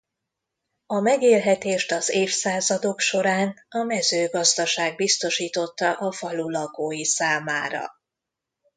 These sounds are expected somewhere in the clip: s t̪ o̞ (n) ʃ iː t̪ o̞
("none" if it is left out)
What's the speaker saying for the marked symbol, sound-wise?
none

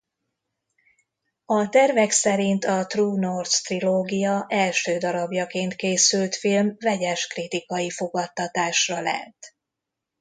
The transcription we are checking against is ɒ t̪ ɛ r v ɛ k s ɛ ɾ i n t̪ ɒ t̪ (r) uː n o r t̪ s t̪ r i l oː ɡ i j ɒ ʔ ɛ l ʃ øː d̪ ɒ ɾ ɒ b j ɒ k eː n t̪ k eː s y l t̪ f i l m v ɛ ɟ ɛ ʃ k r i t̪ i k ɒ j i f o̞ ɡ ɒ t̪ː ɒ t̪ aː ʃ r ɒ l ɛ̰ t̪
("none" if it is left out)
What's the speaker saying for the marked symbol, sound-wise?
r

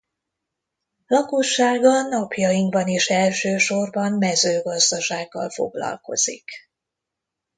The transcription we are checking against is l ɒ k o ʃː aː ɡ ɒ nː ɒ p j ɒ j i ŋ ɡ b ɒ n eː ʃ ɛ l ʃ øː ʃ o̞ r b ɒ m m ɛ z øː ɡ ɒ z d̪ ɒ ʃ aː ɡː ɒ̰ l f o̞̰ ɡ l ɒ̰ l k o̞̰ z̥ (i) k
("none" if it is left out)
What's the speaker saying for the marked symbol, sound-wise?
i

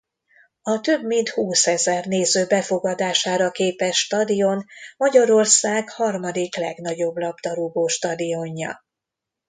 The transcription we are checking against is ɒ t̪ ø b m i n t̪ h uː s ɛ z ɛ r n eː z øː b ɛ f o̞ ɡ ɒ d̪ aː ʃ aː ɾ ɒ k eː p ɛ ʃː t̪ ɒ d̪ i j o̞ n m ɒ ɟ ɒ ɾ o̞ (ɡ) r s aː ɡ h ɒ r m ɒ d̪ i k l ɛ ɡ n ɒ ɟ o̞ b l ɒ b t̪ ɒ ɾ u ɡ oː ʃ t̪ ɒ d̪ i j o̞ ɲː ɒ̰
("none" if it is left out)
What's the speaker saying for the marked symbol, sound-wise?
none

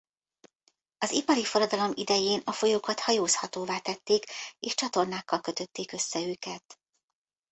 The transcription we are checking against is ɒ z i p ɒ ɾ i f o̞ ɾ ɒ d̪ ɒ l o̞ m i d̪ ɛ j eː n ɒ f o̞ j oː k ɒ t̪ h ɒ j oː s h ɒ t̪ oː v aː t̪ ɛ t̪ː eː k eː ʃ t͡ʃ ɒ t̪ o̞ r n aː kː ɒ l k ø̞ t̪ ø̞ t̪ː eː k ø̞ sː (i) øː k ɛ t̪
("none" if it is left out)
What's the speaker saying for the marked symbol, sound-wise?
ɛ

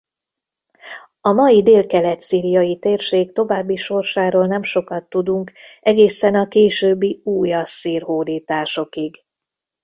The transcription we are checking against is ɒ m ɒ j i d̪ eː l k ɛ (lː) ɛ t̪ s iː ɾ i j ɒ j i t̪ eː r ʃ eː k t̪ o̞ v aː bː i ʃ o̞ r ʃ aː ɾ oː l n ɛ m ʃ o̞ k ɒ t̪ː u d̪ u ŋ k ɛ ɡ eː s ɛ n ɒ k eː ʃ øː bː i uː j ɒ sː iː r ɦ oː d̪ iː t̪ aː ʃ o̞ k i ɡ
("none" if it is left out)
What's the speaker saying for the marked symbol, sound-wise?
l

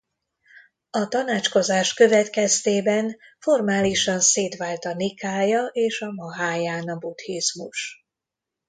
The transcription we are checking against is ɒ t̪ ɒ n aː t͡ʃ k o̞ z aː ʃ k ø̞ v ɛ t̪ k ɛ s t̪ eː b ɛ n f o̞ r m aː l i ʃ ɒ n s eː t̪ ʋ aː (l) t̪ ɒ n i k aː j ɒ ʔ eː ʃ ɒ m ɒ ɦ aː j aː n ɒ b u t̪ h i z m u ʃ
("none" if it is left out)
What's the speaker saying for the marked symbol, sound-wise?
l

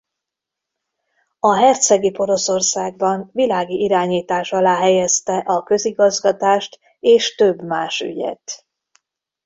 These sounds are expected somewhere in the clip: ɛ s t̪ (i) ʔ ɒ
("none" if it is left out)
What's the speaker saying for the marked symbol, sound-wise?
ɛ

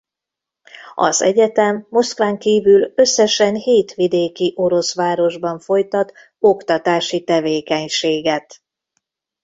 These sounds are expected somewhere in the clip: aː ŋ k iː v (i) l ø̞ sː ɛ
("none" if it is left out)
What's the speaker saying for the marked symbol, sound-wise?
y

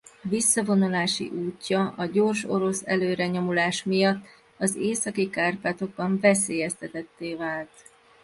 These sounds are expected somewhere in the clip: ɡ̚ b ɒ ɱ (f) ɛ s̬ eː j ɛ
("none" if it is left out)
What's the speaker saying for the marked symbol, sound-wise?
v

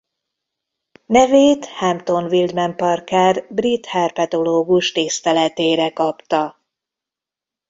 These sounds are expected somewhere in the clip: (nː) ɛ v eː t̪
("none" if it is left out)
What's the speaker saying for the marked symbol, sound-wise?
n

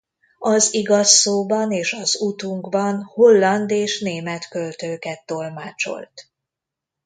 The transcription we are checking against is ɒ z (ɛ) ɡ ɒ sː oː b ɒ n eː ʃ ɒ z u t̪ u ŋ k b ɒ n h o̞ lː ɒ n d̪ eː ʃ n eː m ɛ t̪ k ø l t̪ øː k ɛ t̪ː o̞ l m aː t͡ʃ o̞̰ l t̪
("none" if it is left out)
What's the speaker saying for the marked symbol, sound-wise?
i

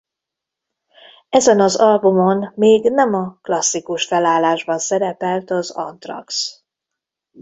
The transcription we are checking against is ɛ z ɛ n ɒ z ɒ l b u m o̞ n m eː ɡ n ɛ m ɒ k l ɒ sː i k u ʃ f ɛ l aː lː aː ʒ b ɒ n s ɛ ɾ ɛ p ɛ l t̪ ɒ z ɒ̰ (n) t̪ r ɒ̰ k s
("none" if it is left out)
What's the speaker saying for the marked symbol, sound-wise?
n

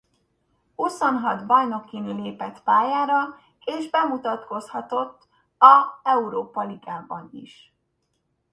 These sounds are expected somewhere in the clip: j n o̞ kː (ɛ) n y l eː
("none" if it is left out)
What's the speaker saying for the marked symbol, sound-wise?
i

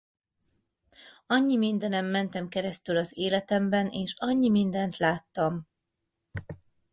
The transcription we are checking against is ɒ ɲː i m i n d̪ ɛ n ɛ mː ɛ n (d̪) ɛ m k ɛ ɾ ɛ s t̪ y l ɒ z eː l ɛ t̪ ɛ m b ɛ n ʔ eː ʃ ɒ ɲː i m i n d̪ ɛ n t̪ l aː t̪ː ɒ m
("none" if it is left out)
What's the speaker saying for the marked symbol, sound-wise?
t̪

